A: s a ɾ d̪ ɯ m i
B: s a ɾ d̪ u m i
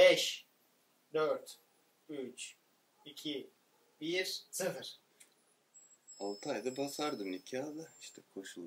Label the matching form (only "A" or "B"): A